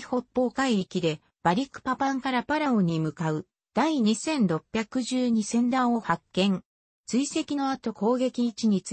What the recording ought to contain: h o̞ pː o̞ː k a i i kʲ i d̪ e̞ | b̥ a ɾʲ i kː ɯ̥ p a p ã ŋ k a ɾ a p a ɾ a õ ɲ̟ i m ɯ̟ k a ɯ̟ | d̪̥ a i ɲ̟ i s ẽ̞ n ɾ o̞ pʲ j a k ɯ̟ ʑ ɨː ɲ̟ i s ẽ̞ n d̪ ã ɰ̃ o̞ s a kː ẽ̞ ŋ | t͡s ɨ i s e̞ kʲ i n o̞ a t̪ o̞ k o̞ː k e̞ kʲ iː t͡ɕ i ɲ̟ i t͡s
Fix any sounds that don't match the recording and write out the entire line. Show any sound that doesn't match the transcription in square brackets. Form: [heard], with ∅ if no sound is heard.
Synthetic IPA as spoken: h o̞ pː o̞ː k a i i kʲ i d̪ e̞ | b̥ a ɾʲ i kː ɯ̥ p a p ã ŋ k a ɾ a p a ɾ a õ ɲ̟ i m ɯ̟ k a ɯ̟ | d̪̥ a i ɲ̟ i s ẽ̞ n ɾ o̞ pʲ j a k ɯ̟ ʑ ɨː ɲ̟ i s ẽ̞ n d̪ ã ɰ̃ o̞ [h] a kː ẽ̞ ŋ | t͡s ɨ i s e̞ kʲ i n o̞ a t̪ o̞ k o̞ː [ɡ] e̞ kʲ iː t͡ɕ i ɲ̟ i t͡s